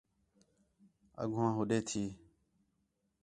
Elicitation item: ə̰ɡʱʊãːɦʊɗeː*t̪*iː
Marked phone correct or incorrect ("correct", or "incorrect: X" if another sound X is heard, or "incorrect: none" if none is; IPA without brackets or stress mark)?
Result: incorrect: t̪ʰ